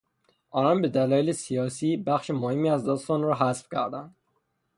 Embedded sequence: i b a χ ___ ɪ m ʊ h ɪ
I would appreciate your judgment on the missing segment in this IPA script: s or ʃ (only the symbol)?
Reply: ʃ